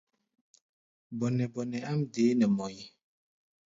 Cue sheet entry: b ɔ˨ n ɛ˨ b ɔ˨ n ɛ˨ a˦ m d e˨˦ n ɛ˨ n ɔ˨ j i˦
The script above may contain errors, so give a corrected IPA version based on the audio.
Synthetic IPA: b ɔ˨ n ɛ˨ b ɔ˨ n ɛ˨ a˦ m d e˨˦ n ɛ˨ m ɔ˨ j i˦